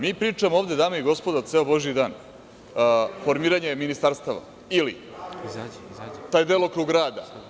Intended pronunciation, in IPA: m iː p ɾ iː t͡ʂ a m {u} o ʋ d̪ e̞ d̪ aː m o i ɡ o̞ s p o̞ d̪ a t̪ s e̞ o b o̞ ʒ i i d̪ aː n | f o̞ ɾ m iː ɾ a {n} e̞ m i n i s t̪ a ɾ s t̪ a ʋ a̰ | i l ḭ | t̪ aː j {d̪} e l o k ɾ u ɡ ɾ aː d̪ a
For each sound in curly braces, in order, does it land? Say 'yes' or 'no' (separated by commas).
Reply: no, no, yes